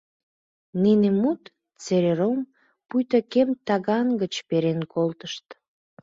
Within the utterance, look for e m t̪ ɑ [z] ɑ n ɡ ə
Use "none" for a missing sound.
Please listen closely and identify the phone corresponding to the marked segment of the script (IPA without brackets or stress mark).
ɣ